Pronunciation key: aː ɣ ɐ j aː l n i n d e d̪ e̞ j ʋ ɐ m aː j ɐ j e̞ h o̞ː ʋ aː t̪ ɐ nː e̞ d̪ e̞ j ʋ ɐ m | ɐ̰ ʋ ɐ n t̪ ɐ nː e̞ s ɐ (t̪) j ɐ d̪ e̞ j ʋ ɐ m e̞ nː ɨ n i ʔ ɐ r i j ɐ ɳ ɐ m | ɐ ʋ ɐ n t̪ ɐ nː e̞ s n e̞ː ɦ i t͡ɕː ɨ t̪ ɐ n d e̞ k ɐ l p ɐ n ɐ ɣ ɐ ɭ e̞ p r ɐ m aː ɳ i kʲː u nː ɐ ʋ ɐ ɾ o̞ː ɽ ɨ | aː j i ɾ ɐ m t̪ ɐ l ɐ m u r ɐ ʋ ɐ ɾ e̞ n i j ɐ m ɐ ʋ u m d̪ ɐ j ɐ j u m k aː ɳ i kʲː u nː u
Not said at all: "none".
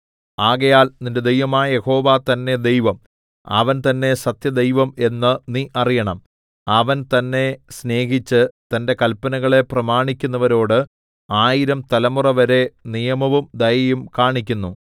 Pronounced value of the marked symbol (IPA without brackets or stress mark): t̪